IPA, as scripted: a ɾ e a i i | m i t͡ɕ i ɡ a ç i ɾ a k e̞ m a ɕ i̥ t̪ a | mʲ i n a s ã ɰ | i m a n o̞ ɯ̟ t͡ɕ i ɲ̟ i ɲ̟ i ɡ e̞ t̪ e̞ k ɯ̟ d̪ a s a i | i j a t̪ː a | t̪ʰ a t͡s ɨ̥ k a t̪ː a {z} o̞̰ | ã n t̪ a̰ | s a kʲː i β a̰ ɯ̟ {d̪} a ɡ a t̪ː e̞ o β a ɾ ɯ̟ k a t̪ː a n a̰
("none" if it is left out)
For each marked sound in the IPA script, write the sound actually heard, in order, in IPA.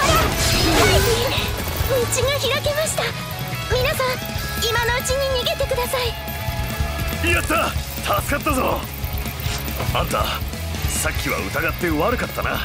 z, t̪

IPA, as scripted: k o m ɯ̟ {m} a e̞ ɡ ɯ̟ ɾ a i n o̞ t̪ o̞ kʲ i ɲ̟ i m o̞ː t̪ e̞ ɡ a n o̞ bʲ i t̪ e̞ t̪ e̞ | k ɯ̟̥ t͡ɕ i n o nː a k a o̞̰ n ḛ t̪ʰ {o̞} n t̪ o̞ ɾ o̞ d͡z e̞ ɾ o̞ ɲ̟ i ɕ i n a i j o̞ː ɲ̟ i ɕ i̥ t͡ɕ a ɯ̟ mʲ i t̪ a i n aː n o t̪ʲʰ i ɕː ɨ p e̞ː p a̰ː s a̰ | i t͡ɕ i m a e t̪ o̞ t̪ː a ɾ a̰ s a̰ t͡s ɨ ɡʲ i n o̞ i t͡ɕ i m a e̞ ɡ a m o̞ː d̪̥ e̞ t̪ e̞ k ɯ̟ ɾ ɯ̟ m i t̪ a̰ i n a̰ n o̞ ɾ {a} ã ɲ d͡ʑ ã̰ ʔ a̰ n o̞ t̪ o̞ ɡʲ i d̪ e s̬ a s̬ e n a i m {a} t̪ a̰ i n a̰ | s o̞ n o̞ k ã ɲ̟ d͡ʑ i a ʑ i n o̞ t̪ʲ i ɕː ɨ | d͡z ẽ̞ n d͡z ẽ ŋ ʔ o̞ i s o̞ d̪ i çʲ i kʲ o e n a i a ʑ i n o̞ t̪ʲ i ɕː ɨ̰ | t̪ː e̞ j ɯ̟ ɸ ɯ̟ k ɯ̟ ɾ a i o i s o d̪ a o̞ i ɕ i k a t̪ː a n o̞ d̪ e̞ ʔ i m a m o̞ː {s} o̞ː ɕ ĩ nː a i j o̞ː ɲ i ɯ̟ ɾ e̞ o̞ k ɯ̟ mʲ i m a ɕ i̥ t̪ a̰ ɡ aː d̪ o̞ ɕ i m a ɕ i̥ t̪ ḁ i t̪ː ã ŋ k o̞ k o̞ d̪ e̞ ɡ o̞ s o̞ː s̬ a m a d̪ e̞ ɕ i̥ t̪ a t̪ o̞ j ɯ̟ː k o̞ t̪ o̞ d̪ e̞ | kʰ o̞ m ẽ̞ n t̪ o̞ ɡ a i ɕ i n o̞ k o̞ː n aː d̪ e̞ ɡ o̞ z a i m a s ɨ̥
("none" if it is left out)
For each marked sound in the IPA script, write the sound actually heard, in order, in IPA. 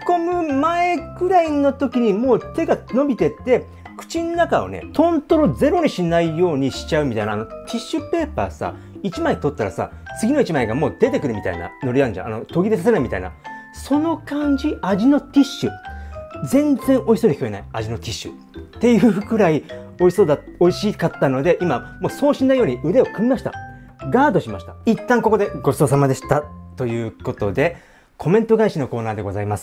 m, õ̞, i, i, s

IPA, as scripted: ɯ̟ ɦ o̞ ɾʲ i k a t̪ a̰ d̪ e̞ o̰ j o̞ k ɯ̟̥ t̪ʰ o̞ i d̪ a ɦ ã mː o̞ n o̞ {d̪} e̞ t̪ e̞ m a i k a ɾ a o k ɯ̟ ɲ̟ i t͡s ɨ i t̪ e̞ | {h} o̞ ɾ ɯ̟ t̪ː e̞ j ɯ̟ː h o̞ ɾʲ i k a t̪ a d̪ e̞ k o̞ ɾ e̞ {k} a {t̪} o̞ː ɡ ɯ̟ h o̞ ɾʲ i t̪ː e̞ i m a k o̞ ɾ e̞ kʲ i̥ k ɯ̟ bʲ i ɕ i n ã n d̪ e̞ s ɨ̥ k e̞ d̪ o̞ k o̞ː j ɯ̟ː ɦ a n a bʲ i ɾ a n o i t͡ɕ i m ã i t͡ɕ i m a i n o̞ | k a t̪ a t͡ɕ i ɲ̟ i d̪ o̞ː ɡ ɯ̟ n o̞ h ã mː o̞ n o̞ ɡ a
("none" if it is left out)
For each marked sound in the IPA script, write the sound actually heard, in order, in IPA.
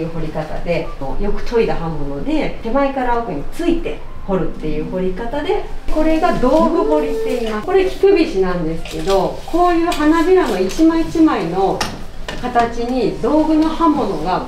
d̪, h, ɡ, d̪

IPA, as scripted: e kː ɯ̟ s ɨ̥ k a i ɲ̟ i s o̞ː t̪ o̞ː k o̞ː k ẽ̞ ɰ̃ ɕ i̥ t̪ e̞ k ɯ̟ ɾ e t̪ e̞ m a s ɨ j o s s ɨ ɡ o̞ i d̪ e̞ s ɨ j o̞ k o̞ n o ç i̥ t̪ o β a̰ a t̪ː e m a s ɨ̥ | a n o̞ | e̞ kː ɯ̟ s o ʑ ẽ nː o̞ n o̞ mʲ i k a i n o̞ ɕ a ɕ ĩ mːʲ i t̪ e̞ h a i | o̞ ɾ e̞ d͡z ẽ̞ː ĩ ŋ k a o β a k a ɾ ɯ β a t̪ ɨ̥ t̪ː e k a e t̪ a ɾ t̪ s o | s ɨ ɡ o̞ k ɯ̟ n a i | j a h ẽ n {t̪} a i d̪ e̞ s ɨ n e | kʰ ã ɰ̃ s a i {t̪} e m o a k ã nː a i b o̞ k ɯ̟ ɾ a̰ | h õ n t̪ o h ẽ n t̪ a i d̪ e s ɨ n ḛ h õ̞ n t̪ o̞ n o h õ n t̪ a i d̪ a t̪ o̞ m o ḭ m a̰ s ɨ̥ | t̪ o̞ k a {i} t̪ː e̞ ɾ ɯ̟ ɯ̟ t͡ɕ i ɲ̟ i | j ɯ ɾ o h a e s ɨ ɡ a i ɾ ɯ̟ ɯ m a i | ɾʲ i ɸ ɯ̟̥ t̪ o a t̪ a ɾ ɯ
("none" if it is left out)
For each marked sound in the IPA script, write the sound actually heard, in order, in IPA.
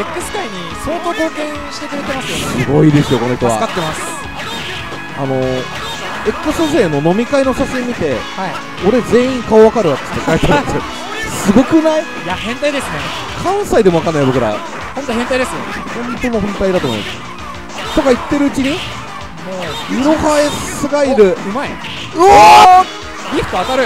t̪, d̪, i

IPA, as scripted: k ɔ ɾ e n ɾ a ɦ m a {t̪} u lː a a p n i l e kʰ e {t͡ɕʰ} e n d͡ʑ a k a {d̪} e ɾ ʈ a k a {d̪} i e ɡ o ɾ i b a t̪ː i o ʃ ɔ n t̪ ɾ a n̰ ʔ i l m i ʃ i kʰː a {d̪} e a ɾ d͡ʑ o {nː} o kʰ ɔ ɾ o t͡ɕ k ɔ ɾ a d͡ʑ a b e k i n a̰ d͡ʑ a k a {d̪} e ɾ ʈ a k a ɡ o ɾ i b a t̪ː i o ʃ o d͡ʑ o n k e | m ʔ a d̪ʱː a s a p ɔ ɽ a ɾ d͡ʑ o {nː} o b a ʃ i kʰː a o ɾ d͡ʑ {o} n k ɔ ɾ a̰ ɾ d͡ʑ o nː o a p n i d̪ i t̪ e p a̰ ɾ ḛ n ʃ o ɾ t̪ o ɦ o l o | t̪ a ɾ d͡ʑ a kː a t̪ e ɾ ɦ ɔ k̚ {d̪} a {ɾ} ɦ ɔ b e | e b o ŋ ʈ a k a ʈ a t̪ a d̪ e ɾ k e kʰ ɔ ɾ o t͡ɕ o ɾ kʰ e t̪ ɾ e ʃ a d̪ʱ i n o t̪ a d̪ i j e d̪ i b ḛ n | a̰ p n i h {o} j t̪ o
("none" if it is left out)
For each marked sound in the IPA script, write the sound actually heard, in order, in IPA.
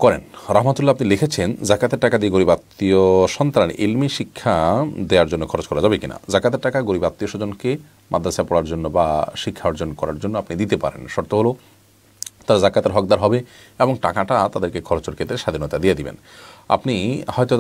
t̪, t͡ɕʰ, t̪, d̪, d̪, nː, t̪, nː, o, d̪, ɾ, ɔ

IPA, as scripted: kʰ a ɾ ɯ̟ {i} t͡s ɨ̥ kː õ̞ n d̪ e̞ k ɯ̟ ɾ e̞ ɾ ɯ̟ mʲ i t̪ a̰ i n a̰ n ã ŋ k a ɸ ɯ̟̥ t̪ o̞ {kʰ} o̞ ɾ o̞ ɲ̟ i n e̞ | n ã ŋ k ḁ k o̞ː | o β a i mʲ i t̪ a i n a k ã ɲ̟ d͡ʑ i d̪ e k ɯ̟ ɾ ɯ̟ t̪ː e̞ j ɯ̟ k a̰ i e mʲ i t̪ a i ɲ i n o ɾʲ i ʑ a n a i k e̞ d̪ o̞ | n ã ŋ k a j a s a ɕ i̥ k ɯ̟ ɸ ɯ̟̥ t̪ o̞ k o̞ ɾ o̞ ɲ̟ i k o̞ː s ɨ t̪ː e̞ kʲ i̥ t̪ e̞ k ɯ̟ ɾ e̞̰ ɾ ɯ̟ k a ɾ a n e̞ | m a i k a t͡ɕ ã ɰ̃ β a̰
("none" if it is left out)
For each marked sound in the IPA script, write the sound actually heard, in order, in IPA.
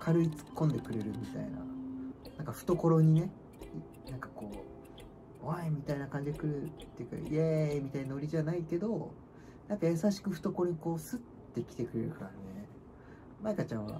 i, k

